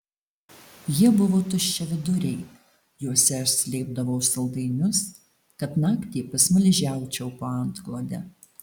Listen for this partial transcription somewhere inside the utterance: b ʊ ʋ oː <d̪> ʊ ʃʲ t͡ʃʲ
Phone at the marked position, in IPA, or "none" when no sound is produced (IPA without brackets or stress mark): t̪